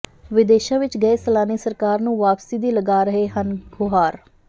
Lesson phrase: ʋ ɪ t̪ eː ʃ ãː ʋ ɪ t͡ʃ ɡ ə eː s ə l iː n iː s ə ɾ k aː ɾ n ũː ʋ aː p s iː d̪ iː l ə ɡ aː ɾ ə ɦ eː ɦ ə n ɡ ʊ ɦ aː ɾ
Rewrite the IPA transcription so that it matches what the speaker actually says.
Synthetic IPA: ʋ ɪ d̪ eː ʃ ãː ʋ ɪ t͡ʃ ɡ ə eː s ə l aː n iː s ə ɾ k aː ɾ n ũː ʋ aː p s iː d̪ iː l ə ɡ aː ɾ ə ɦ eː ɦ ə n ɡ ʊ ɦ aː ɾ